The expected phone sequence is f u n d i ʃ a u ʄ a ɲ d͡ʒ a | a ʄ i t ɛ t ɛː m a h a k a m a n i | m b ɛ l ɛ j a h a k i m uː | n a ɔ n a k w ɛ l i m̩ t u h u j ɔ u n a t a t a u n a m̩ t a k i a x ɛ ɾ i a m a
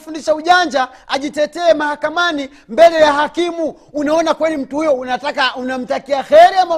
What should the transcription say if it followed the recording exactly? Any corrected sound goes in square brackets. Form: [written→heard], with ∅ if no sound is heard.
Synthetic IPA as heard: f u n d i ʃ a u ʄ a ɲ d͡ʒ a | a ʄ i t ɛ t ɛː m a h a k a m a n i | m b ɛ l ɛ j a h a k i m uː | n a ɔ n a k w ɛ l i m̩ t u h u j ɔ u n a t a [t→k] a u n a m̩ t a k i a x ɛ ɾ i a m a